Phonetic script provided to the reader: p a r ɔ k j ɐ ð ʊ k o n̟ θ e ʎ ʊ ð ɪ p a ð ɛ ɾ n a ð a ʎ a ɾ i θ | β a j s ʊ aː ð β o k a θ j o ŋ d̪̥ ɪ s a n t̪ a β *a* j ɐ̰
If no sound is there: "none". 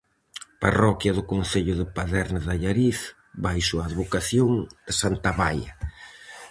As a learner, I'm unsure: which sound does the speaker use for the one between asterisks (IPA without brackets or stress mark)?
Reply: a